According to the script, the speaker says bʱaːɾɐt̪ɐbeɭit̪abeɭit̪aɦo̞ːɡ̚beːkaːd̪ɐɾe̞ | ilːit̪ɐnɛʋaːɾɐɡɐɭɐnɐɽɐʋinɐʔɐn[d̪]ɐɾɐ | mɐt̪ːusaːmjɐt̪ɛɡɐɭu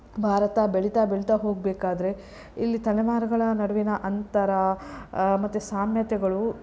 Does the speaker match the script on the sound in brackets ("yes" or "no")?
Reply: no